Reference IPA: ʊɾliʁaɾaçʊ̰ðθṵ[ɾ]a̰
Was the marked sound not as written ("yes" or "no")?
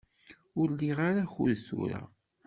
no